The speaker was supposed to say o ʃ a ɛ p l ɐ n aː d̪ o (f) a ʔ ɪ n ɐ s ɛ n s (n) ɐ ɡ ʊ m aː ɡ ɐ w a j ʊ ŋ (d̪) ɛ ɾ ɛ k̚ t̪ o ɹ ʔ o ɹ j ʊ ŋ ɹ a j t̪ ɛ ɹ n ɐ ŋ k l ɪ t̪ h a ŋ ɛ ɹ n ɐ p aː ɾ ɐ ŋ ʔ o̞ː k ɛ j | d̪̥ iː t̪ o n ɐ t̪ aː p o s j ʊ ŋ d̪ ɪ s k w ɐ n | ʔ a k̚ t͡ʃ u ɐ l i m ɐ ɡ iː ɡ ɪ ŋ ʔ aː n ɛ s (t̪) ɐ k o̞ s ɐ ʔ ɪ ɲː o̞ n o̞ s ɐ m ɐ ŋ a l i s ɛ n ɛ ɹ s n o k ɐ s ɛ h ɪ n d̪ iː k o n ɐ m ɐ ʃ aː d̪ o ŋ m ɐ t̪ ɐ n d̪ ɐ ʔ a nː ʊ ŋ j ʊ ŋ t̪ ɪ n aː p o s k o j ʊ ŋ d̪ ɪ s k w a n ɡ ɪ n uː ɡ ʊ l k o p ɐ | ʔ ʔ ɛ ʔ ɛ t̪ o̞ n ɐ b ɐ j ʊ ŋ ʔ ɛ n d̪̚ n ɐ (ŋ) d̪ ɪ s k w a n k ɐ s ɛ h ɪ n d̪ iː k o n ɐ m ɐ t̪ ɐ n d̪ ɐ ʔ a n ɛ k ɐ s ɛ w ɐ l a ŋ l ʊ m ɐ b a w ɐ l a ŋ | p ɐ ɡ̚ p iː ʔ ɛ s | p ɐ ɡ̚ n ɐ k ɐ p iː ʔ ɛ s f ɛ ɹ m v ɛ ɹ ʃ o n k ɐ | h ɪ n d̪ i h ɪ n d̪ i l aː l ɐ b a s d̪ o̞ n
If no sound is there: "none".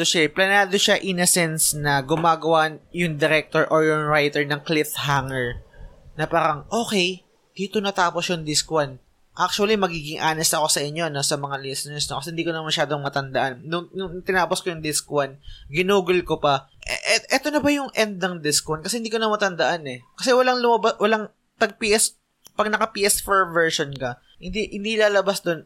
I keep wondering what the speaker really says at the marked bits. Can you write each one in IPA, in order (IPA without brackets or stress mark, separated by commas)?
ʃ, n, d̪, t̪, ŋ